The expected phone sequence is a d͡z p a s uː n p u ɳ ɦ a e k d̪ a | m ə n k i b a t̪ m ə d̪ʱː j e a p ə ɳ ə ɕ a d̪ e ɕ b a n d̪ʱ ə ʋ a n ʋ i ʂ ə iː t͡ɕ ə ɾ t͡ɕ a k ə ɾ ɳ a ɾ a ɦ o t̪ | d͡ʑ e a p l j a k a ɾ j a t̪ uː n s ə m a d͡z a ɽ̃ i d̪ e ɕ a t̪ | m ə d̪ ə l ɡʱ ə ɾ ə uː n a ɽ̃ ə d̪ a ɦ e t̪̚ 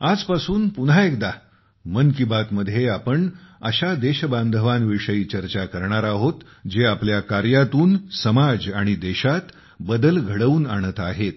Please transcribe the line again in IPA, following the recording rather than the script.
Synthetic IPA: a d͡z p a s uː n p u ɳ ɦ a e k d̪ a | m ə n k i b a t̪ m ə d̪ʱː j e a p ə ɳ ə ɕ a d̪ e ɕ b a n d̪ʱ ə ʋ a n ʋ i ʂ ə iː t͡ɕ ə ɾ t͡ɕ a k ə ɾ ɳ a ɾ a ɦ o t̪ | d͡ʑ e a p l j a k a ɾ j a t̪ uː n s ə m a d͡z a ɽ̃ i d̪ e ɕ a t̪ | b ə d̪ ə l ɡʱ ə ɽ ə uː n a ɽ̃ ə t̪ a ɦ e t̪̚